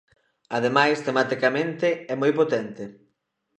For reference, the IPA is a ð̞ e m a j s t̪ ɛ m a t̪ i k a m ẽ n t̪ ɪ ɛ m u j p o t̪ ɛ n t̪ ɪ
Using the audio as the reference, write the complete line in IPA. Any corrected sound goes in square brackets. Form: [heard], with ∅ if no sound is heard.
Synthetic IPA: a ð̞ e m a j s t̪ [e] m a t̪ i k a m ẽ n t̪ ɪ ɛ m [o] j p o t̪ ɛ n t̪ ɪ